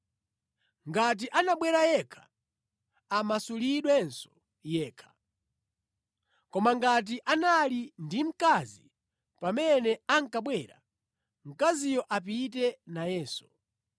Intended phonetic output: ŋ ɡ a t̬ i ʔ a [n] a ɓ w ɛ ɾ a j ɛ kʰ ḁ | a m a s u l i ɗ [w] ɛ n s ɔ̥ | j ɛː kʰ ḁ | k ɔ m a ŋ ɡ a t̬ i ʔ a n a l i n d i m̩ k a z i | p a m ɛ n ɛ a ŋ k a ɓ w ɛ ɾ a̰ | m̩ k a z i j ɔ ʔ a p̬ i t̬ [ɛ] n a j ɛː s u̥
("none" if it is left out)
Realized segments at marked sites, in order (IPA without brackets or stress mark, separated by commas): n, w, ɛ